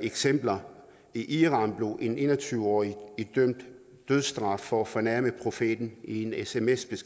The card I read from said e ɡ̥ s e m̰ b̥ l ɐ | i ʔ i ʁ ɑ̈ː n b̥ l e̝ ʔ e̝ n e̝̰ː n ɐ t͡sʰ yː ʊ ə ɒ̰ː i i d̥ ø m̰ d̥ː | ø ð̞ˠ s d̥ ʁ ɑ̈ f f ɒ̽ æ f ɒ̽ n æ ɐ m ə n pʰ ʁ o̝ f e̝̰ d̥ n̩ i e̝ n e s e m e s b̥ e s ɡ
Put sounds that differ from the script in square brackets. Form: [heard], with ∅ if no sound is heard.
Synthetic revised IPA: e ɡ̥ s e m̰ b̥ l ɐ | i ʔ i ʁ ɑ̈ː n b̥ l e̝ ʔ e̝ n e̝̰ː n ɐ t͡sʰ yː ʊ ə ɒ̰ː i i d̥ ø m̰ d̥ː | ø ð̞ˠ s d̥ ʁ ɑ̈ f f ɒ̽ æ f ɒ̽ n æ ɐ m ə [∅] pʰ ʁ o̝ f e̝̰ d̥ n̩ i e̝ n e s e m e s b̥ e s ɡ

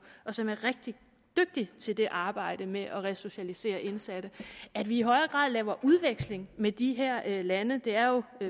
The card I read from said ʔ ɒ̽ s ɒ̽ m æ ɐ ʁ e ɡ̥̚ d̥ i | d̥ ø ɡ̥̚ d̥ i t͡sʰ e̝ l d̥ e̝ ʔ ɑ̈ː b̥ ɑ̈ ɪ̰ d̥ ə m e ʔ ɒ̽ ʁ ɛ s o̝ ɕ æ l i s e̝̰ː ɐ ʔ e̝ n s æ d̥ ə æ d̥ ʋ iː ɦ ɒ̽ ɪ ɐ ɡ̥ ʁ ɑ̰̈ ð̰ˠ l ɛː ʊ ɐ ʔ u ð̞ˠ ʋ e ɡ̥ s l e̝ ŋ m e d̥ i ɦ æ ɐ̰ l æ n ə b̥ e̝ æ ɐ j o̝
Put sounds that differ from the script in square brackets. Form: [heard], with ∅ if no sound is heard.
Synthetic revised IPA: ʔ ɒ̽ s ɒ̽ m æ ɐ ʁ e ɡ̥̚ d̥ i | d̥ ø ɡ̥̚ d̥ i t͡sʰ e̝ l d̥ e̝ ʔ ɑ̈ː b̥ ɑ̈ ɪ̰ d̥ ə m e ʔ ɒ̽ ʁ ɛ s o̝ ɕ æ l i s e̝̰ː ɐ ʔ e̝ n s æ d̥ ə æ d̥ ʋ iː ɦ ɒ̽ ɪ ɐ ɡ̥ ʁ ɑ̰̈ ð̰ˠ l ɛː ʊ ɐ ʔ u ð̞ˠ ʋ e ɡ̥ s l e̝ ŋ m e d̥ i ɦ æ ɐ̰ l æ n ə [d̥] e̝ æ ɐ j o̝

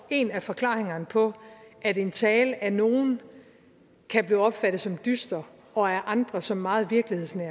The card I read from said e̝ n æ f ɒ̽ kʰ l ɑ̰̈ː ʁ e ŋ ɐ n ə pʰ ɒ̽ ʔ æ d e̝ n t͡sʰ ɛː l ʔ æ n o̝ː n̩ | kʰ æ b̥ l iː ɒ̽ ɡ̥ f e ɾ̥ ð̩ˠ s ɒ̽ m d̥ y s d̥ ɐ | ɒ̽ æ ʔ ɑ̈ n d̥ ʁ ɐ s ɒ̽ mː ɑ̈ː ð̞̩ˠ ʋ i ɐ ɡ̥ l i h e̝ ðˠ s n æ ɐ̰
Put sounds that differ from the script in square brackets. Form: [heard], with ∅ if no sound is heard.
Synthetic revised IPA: e̝ n æ f ɒ̽ kʰ l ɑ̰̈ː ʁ e ŋ ɐ n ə pʰ ɒ̽ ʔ æ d e̝ n t͡sʰ ɛː l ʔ æ n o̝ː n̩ | kʰ æ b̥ l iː ɒ̽ [b̥] f [æ] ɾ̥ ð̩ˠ s ɒ̽ m d̥ y s d̥ ɐ | ɒ̽ æ ʔ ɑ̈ n d̥ ʁ ɐ s ɒ̽ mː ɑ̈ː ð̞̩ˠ ʋ i ɐ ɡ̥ l i h e̝ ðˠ s n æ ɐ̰

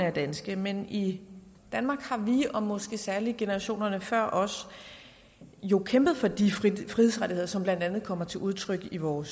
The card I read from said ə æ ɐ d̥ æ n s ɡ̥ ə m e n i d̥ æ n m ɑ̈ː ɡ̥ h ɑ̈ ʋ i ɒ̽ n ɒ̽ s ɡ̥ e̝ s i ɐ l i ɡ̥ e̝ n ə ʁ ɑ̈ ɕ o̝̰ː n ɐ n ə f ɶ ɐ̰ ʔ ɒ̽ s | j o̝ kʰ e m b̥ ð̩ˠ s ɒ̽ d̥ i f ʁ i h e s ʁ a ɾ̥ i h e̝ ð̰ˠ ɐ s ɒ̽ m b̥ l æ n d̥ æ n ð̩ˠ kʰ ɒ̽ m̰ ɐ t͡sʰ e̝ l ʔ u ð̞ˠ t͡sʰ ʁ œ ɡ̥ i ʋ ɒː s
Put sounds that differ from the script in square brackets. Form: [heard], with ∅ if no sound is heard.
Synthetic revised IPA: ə æ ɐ d̥ æ n s ɡ̥ ə m e n i d̥ æ n m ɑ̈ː ɡ̥ h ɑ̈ ʋ i ɒ̽ [m] ɒ̽ s ɡ̥ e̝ s [æ] ɐ l i ɡ̥ e̝ n ə ʁ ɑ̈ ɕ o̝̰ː n ɐ n ə f ɶ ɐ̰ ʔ ɒ̽ s | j o̝ kʰ e m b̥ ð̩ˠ [f] ɒ̽ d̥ i f ʁ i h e s ʁ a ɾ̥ i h e̝ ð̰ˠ ɐ s ɒ̽ m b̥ l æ n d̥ æ n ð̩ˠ kʰ ɒ̽ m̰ ɐ t͡sʰ e̝ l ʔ u ð̞ˠ t͡sʰ ʁ œ ɡ̥ i ʋ ɒː s

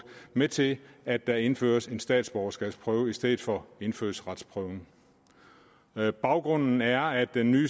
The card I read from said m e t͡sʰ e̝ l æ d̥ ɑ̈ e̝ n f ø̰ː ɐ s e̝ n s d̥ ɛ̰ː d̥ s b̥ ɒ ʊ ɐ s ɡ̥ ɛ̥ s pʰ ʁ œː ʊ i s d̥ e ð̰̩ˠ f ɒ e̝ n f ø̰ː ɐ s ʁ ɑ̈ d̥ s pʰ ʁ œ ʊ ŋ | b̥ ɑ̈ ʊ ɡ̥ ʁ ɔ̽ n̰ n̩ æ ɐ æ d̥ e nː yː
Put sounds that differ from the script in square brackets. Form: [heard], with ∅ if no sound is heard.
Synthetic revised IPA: m e t͡sʰ e̝ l æ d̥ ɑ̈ e̝ n f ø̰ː ɐ s e̝ n s d̥ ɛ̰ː d̥ s b̥ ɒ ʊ ɐ s ɡ̥ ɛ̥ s pʰ ʁ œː ʊ i s d̥ e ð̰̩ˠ f ɒ e̝ n f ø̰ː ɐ s ʁ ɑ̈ d̥ s pʰ ʁ œ ʊ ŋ | b̥ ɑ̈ ʊ ɡ̥ ʁ ɔ̽ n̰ n̩ æ ɐ æ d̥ e nː yː

